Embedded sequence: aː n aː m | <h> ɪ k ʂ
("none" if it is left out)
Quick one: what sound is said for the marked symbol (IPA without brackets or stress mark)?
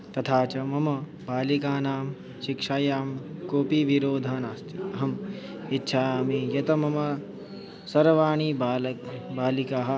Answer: ʃ